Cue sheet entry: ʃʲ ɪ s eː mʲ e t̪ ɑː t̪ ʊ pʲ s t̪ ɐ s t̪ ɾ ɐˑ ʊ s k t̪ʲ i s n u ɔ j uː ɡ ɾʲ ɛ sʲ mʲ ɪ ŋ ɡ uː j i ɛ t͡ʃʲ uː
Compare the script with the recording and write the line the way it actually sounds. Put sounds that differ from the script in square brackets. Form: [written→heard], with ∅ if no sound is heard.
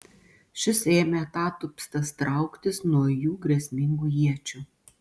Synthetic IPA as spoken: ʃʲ ɪ s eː mʲ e t̪ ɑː t̪ ʊ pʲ s t̪ ɐ s t̪ ɾ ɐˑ ʊ [s→∅] k t̪ʲ [i→ɪ] s n u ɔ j uː ɡ ɾʲ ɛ sʲ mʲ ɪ ŋ ɡ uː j i ɛ t͡ʃʲ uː